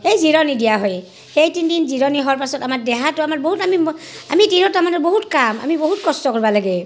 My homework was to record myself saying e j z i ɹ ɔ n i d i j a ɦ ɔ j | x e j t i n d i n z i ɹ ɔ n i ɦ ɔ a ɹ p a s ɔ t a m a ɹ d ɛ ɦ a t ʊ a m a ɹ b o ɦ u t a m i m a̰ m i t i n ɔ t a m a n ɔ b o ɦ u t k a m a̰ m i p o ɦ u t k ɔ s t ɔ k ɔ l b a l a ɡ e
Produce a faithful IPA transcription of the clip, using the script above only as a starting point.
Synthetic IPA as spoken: e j z i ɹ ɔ n i d i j a ɦ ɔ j | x e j t i n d i n z i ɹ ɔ n i ɦ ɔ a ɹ p a s ɔ t a m a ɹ d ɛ ɦ a t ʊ a m a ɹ b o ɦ u t a m i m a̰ m i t i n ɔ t a m a n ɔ b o ɦ u t k a m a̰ m i b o ɦ u t k ɔ s t ɔ k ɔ ɹ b a l a ɡ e